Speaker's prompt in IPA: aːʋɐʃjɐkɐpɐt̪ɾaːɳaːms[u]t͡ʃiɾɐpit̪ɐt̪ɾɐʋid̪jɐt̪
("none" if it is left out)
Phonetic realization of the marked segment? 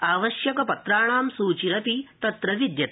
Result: uː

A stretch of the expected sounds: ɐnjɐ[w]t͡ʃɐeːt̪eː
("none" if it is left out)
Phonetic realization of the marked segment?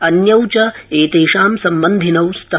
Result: w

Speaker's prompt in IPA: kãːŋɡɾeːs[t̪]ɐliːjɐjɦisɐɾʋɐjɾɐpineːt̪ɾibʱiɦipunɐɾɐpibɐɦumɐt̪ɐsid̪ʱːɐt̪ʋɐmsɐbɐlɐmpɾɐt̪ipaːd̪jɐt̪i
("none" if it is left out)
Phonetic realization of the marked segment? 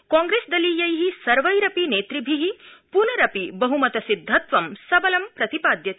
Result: d̪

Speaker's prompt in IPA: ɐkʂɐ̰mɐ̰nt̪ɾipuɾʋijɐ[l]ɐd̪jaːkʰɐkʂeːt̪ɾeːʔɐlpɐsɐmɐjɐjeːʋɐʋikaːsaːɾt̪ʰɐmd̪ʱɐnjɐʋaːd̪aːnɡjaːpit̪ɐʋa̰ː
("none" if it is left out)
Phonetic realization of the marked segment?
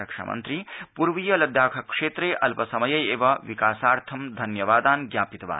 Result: l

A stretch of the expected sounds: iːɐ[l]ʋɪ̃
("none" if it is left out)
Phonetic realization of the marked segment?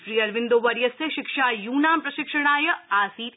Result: ɾ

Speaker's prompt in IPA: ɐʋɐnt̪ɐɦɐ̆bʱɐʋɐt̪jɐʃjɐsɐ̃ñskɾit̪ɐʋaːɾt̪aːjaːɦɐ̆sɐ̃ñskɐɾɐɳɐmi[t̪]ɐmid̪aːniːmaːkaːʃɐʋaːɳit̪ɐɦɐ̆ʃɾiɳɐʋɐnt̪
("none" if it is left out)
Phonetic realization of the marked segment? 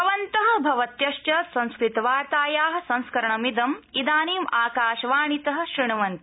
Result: d̪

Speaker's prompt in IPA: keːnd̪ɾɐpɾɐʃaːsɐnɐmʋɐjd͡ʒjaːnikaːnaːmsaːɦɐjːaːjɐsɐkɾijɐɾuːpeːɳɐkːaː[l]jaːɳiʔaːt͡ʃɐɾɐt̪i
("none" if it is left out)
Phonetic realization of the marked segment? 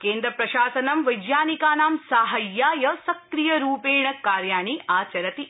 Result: ɾ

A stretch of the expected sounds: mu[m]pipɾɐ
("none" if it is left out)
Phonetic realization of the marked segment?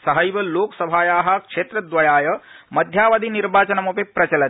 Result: none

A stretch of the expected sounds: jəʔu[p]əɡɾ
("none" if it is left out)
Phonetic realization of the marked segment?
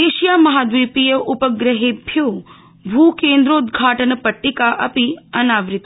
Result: p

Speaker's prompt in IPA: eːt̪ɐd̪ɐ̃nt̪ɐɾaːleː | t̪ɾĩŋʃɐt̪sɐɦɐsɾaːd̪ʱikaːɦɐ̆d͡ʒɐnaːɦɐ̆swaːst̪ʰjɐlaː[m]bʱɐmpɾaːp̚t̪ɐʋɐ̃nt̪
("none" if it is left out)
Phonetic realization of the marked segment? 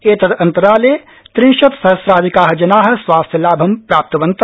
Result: none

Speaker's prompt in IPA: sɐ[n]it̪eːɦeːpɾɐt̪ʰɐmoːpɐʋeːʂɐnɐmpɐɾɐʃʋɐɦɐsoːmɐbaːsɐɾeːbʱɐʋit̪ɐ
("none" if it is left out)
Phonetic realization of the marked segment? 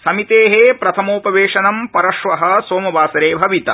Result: m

